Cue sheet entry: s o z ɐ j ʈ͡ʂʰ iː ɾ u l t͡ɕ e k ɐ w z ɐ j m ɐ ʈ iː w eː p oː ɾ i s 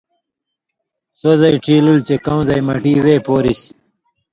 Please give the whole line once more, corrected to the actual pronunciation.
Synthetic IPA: s o z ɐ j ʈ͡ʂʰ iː l u l t͡ɕ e k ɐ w z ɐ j m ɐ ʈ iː w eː p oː ɾ i s